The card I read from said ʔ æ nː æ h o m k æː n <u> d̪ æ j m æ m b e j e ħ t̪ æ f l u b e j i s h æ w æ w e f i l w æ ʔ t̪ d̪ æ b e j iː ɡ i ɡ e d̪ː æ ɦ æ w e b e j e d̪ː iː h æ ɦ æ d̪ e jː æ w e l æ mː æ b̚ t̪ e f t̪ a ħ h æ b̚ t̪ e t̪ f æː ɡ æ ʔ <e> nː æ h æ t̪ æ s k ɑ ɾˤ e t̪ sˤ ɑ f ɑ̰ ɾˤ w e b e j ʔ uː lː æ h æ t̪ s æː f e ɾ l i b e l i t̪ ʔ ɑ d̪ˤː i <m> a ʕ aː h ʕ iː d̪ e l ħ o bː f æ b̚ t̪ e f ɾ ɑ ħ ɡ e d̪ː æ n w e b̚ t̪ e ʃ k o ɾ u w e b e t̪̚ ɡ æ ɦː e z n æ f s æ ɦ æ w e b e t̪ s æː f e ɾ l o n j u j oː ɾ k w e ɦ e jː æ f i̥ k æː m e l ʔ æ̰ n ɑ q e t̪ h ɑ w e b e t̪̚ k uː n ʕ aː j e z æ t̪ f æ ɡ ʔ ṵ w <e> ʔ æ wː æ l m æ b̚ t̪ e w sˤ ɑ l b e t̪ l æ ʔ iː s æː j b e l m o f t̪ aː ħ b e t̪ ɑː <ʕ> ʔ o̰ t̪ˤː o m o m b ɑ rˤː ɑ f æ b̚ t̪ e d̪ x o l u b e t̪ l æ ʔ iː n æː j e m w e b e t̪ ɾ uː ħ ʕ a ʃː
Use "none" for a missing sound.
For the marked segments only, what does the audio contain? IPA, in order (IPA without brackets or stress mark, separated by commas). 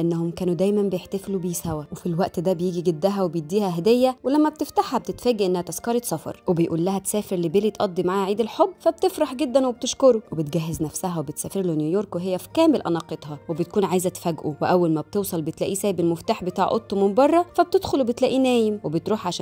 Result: u, e, m, e, ʕ